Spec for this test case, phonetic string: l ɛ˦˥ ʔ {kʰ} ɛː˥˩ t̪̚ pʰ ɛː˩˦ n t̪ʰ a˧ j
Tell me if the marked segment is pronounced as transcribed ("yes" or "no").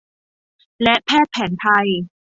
no